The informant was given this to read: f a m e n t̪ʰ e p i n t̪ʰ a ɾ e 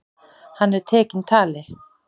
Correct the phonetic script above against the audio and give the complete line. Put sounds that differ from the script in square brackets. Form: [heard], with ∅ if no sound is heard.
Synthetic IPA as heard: [h] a [n] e [∅] t̪ʰ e [k] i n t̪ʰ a [l] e